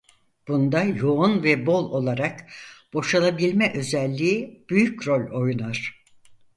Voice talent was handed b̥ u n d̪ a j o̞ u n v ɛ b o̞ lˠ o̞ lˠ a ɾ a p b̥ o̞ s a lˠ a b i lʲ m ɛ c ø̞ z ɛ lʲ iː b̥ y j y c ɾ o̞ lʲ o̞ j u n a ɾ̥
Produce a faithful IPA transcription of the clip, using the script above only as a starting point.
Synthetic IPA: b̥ u n d̪ a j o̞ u n v ɛ b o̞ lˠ o̞ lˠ a ɾ a k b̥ o̞ ʃ a lˠ a b i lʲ m ɛ ʔ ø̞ z ɛ lʲː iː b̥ y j y c ɾ o̞ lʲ o̞ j u n a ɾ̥